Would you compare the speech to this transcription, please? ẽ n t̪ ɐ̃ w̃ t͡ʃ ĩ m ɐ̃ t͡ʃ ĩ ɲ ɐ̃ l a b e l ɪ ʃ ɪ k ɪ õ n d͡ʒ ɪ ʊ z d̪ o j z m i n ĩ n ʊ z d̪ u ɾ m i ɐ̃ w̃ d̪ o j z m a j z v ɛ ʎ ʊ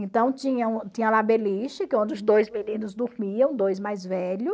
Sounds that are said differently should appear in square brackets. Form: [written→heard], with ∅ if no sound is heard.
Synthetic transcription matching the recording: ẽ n t̪ ɐ̃ w̃ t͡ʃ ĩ [m→ɲ] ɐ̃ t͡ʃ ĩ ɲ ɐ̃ l a b e l [ɪ→i] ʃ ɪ k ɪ õ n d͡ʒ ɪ ʊ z d̪ o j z m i n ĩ n ʊ z d̪ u ɾ m i ɐ̃ w̃ d̪ o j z m a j z v ɛ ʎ ʊ